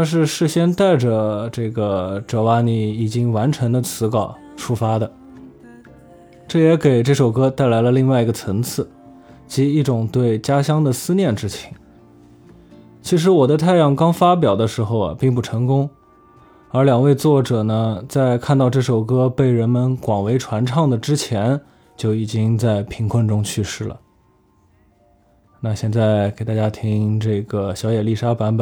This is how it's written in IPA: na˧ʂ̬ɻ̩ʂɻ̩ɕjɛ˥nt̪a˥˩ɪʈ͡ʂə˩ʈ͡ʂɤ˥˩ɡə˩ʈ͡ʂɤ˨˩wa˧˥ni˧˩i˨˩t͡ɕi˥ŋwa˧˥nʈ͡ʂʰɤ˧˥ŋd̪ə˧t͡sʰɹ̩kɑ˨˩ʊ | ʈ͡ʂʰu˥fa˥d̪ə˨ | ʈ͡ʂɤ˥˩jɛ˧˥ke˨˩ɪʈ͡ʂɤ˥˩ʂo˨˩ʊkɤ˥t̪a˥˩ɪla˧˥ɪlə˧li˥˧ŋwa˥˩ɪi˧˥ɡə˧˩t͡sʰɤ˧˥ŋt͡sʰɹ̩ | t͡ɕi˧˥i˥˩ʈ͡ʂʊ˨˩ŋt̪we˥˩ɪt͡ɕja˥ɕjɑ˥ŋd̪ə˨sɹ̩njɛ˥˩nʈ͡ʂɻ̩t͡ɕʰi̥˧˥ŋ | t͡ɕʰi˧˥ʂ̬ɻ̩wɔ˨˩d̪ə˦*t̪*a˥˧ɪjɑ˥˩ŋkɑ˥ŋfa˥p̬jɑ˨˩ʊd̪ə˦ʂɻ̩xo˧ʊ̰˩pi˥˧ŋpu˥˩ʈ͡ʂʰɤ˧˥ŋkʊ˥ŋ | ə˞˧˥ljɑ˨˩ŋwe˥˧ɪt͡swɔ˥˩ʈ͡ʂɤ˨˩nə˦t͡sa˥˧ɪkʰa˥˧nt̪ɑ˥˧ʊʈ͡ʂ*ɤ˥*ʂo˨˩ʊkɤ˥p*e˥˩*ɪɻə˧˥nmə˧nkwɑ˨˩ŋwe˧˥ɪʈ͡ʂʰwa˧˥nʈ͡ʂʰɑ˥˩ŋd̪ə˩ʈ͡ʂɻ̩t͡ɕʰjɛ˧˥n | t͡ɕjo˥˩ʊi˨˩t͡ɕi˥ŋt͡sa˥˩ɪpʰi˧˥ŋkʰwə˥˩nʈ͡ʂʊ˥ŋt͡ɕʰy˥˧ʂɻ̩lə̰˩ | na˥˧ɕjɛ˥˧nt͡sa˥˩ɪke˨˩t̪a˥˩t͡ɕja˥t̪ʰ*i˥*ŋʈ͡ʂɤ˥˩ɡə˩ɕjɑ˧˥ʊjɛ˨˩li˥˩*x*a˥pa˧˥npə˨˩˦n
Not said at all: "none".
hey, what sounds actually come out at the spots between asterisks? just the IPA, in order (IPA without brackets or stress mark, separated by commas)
t̪ʰ, ɤ˥˩, e˥˩, i˥, ʂ